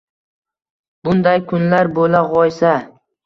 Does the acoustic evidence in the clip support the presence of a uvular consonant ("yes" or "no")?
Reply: yes